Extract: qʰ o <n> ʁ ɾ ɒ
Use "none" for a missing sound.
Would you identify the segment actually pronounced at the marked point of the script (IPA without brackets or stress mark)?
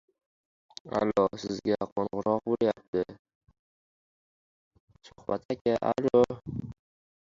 n